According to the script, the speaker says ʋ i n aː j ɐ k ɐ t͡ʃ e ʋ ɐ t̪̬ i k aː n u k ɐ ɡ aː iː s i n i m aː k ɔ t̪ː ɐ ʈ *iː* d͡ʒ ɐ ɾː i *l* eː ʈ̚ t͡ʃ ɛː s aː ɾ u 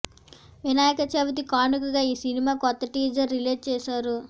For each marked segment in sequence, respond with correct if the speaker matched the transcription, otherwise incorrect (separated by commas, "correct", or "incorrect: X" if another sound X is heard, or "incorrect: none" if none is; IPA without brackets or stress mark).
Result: correct, correct